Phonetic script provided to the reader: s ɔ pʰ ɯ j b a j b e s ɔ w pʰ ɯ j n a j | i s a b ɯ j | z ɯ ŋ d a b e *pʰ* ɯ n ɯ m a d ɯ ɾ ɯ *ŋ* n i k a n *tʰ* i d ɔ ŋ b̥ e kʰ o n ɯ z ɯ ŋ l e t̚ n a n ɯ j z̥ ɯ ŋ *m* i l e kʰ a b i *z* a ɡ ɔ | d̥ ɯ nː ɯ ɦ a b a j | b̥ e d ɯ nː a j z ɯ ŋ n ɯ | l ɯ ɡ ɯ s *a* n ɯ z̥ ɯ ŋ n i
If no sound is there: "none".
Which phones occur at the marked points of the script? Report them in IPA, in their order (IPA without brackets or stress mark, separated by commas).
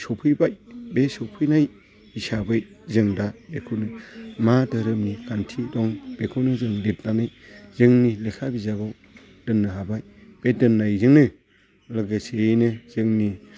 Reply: kʰ, m, tʰ, n, z, e